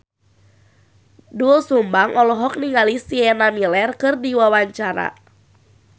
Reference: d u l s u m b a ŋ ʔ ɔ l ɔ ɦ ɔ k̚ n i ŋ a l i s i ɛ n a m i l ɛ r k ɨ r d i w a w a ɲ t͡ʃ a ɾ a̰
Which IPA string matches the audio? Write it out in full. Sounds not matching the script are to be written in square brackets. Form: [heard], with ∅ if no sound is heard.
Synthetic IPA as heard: d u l s u m b a ŋ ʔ ɔ l ɔ ɦ ɔ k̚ n i ŋ a l i s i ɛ n a m i l ɛ r k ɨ r d i w a w a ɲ t͡ʃ a ɾ a̰